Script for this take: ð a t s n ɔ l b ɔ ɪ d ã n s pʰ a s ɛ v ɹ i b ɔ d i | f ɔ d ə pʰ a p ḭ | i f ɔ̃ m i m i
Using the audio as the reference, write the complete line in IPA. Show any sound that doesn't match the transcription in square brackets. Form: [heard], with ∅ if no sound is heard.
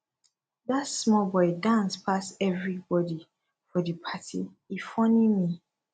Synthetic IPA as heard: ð a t s [m] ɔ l b ɔ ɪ d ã n s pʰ a s ɛ v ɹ i b ɔ d i | f ɔ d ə pʰ a [t] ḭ | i f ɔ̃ [n] i m i

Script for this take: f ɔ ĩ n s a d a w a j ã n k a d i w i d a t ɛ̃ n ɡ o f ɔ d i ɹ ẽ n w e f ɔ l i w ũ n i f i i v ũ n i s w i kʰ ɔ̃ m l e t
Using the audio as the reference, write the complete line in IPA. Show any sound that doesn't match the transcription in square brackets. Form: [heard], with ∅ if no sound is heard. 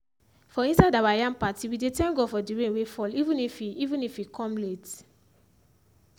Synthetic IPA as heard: f ɔ ĩ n s a d a w a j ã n [p] a [t] i w i d [e] t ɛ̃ n ɡ o f ɔ d i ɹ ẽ n w e f ɔ l i [v] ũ n i f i i v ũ n i [f] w i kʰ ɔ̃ m l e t

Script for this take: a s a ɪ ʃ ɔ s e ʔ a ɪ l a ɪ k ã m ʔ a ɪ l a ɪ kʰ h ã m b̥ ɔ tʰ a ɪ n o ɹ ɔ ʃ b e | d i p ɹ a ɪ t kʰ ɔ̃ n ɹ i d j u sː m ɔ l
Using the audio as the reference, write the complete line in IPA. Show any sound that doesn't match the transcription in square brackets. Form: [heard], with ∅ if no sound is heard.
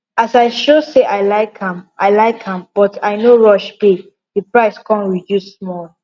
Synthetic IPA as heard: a s a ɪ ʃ [o] s e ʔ a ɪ l a ɪ k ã m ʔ a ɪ l a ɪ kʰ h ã m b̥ ɔ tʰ a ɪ n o ɹ ɔ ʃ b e | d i p ɹ a ɪ [s] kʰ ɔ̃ n ɹ i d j u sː m ɔ l

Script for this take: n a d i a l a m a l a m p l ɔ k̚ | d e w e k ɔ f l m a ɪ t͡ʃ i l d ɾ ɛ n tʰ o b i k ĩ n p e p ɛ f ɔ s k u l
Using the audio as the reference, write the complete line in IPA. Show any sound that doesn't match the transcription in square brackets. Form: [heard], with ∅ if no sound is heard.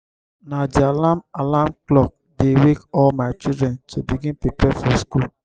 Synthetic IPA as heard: n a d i a l a m a l a m [k] l ɔ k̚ | d e w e k ɔ [∅] l m a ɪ t͡ʃ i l d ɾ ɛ n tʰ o b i [ɡ] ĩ n p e p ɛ f ɔ s k u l

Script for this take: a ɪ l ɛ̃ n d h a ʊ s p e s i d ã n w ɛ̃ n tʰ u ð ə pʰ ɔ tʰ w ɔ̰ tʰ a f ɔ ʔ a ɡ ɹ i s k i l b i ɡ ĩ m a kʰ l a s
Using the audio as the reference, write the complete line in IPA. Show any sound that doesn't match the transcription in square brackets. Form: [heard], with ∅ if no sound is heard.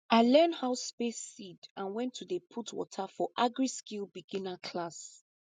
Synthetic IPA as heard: a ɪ l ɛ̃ n d h a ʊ s p e s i d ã n w ɛ̃ n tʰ u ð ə pʰ [u] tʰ w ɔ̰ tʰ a f ɔ ʔ a ɡ ɹ i s k i l b i ɡ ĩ [n] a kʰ l a s

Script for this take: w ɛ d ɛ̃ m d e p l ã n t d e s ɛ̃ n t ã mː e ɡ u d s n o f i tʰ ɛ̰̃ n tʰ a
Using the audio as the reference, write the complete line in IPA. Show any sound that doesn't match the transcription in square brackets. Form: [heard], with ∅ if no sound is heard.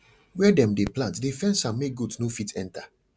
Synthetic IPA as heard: w ɛ d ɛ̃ m d e p l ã n t d e [f] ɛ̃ n [s] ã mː e ɡ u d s n o f i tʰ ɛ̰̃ n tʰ a

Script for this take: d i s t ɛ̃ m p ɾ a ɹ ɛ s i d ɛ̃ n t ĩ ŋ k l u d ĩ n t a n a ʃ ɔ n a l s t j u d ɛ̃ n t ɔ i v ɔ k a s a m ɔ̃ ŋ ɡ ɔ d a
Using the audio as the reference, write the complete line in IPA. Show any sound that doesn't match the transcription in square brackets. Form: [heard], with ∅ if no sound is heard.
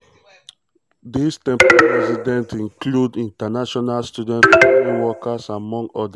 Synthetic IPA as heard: d i s t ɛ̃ m p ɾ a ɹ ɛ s i d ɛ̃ n t ĩ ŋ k l u d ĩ n t a n a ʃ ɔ n a l s t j u d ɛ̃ n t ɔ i [w] ɔ k a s a m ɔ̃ ŋ ɡ ɔ d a

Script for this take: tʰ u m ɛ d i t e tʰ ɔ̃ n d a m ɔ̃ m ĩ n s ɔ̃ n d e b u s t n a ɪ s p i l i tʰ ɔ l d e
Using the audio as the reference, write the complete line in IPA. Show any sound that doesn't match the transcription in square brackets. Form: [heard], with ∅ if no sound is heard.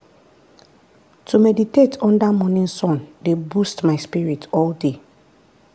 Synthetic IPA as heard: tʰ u m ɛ d i t e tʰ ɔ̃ n d a m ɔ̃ [n] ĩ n s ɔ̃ n d e b u s t [m] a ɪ s p i [ɹ] i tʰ ɔ l d e

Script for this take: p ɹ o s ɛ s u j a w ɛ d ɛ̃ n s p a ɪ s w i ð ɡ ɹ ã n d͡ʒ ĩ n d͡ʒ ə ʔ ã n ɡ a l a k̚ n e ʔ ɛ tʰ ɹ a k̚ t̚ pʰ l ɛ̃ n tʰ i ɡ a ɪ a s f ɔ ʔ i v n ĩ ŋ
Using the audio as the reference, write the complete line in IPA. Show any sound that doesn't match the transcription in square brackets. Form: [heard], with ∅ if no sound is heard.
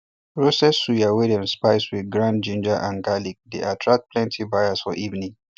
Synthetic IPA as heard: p ɹ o s ɛ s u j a w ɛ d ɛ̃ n s p a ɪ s w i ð ɡ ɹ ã n d͡ʒ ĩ n d͡ʒ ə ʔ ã n ɡ a l [i] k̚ [d] e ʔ [a] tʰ ɹ a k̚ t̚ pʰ l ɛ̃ n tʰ i [b] a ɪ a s f ɔ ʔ i v n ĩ ŋ

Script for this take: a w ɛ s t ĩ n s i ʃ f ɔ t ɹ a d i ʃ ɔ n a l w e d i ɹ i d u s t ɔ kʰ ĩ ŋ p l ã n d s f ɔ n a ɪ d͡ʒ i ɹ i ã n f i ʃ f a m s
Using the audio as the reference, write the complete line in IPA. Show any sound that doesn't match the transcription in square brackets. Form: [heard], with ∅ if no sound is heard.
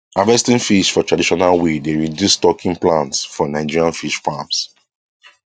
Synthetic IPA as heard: a [v] ɛ s t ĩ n [f] i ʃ f ɔ t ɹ a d i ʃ ɔ n a l w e d [e] ɹ i d u s t ɔ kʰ ĩ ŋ p l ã n [t] s f ɔ n a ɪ d͡ʒ i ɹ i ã n f i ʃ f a m s

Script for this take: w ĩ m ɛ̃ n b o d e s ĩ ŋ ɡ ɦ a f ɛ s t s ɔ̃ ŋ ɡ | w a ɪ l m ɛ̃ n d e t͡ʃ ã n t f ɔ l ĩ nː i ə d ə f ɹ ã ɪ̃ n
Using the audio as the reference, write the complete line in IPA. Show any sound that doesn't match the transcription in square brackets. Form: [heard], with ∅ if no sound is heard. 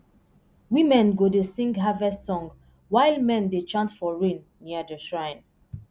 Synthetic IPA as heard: w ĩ m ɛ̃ n [ɡ] o d e s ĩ ŋ ɡ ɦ a [v] ɛ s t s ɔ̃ ŋ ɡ | w a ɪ l m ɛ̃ n d e t͡ʃ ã n t f ɔ [ɹ] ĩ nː i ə d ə [ʃ] ɹ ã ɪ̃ n

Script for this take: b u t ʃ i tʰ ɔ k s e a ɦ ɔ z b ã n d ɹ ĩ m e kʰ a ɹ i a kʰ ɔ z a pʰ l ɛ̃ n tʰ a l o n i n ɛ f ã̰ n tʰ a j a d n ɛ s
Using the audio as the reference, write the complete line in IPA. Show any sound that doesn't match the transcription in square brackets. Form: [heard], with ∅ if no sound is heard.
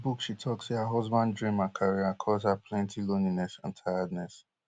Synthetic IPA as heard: b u [k] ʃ i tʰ ɔ k s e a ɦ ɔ z b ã n d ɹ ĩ m [a] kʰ a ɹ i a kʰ ɔ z a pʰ l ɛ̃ n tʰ [i] l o n i n ɛ [s] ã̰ n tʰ a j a d n ɛ s

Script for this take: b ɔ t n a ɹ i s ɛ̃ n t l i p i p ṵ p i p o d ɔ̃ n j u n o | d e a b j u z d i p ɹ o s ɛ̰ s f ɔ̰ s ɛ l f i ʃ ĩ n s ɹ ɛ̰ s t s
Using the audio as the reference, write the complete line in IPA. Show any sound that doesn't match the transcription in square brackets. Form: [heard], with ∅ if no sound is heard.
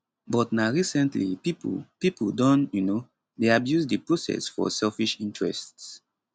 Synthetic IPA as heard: b ɔ t n a ɹ i s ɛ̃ n t l i p i p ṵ p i p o d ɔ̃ n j u n o | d e a b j u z d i p ɹ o s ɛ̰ s f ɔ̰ s ɛ l f i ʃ ĩ n [t] ɹ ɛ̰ s t s

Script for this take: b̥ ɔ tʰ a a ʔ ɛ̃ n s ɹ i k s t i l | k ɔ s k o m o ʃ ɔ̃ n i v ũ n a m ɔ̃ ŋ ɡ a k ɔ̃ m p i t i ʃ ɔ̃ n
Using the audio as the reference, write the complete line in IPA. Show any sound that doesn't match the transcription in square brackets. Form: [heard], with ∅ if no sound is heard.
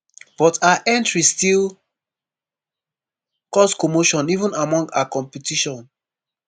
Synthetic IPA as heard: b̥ ɔ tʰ a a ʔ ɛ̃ n [t] ɹ i [∅] s t i l | k ɔ s k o m o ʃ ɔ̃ n i v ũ n a m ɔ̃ ŋ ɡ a k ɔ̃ m p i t i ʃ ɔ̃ n

